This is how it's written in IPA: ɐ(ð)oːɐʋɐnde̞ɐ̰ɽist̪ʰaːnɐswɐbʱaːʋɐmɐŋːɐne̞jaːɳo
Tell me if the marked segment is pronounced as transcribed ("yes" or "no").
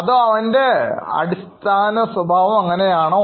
yes